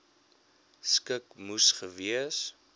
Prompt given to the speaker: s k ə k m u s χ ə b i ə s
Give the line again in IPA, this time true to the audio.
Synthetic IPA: s k ə k m u s χ ə v i ə s